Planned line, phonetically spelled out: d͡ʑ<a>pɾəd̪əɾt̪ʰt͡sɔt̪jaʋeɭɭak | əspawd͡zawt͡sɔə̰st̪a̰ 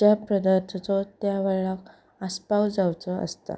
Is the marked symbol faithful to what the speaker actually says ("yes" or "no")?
yes